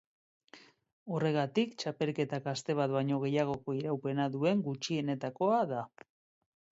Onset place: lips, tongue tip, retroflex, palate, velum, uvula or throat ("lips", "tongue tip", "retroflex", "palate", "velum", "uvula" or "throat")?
tongue tip